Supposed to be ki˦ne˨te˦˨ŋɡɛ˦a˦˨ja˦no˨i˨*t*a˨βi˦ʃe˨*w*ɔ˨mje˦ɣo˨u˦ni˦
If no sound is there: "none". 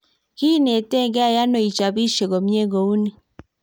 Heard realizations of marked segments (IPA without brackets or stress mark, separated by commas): t͡ʃ, ɣ